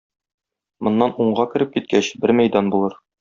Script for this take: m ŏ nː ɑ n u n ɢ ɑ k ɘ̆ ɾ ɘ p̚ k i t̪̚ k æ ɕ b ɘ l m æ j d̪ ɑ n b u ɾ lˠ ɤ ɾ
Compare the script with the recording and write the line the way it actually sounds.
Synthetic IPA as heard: m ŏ nː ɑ n u ɴ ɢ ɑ k ɘ̆ ɾ ɘ p̚ k i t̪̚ k æ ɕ b ɘ ɾ m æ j d̪ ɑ n b u lˠ ɤ ɾ